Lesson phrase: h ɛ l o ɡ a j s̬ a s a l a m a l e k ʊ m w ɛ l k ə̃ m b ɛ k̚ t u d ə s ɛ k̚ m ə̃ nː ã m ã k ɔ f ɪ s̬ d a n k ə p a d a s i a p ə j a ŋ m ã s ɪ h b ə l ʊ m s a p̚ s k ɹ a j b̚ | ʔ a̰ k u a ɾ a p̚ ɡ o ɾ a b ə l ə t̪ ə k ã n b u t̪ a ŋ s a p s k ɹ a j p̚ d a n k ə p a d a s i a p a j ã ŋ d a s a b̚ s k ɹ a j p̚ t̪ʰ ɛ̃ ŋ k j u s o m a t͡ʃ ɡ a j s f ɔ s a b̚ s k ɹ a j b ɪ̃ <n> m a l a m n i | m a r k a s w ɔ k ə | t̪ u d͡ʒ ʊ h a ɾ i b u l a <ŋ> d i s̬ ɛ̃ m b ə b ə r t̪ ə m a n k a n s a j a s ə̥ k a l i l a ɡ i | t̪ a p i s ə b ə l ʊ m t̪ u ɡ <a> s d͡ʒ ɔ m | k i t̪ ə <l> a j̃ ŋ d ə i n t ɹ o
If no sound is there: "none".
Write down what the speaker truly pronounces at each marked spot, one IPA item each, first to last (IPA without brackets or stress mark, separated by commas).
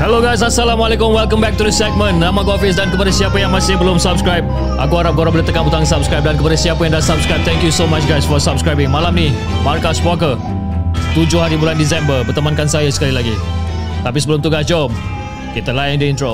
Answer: ŋ, n, a, l